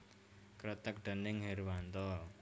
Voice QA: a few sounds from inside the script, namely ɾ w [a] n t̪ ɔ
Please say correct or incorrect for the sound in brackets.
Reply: correct